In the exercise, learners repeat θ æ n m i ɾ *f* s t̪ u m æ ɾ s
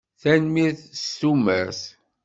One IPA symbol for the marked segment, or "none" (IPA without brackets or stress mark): θ